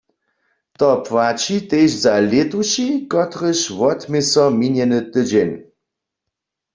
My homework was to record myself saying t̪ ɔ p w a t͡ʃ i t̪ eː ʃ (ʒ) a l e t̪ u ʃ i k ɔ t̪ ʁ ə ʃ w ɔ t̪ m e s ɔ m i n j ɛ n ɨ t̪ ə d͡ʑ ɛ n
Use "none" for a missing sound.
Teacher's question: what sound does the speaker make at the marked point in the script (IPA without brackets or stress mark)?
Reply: z